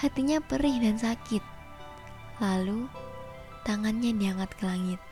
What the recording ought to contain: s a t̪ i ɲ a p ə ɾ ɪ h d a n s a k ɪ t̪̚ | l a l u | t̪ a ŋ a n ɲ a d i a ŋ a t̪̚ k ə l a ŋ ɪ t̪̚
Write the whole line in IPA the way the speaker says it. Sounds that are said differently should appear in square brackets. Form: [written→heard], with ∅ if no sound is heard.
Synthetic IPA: [s→h] a t̪ i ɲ a p ə ɾ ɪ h d a n s a k ɪ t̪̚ | l a l u | t̪ a ŋ a n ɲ a d i a ŋ a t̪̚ k ə l a ŋ ɪ t̪̚